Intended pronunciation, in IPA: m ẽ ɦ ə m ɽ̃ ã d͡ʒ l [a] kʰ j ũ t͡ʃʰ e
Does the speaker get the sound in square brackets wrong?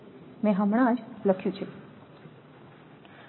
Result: yes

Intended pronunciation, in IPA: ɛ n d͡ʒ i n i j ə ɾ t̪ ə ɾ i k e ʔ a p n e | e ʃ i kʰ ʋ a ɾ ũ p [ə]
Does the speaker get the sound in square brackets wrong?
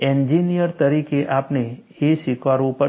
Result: no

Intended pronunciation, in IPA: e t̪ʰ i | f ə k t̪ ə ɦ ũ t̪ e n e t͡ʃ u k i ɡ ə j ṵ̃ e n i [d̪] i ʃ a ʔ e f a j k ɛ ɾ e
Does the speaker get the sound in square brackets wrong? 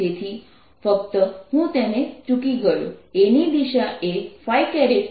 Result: no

